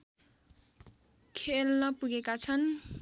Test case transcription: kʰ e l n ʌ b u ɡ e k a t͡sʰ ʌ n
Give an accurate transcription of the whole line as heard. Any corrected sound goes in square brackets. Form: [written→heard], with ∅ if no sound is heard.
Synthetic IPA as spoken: kʰ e l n ʌ [b→p] u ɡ e k a t͡sʰ ʌ n